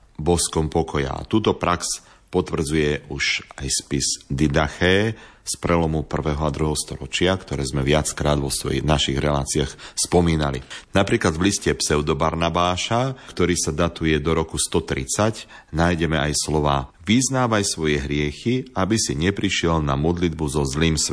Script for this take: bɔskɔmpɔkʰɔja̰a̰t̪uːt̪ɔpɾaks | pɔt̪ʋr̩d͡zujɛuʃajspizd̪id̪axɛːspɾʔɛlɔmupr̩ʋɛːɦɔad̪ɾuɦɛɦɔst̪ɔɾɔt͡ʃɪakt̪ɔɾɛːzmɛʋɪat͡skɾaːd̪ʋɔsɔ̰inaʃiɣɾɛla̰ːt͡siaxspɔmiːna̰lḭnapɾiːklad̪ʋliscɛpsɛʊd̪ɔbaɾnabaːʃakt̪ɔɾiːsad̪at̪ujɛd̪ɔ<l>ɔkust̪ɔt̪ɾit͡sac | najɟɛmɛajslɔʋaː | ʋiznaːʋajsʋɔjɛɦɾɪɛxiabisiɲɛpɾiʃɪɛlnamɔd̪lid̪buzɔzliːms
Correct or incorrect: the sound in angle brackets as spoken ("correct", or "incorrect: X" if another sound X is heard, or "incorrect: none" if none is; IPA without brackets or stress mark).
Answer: incorrect: ɾ